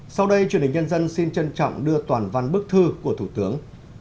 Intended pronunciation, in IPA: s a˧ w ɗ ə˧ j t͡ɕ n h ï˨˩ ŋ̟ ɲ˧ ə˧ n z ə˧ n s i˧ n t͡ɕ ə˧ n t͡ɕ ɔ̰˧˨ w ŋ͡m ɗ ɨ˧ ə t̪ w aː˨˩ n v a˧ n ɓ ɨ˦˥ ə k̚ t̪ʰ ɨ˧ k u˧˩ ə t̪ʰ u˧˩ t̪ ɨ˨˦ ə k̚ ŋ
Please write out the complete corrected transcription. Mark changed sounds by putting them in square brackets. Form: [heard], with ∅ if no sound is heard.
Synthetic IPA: s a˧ w ɗ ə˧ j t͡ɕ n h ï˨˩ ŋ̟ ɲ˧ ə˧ n z ə˧ n s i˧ n t͡ɕ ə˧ n t͡ɕ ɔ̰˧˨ w ŋ͡m ɗ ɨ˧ ə t̪ w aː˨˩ n v a˧ n ɓ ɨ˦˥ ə k̚ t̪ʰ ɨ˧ k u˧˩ ə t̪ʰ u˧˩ t̪ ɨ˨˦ ə [∅] ŋ